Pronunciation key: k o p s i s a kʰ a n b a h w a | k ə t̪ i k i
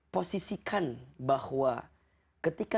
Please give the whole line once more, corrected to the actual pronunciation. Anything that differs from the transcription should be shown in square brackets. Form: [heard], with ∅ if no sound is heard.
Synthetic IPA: [p] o [∅] s i s [i] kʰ a n b a h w a | k ə t̪ i k [a]